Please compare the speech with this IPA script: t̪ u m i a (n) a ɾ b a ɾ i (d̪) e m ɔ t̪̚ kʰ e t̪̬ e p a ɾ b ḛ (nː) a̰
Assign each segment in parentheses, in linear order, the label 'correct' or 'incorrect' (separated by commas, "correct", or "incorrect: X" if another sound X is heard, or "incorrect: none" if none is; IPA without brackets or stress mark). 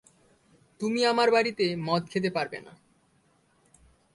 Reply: incorrect: m, incorrect: t̪, incorrect: n